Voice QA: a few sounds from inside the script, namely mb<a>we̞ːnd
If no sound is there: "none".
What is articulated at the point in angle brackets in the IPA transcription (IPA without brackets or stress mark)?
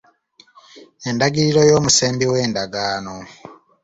i